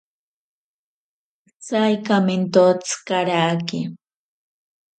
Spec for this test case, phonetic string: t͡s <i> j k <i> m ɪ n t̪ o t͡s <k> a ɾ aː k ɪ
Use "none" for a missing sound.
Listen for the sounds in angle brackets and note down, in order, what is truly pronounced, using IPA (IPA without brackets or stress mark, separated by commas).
a, a, k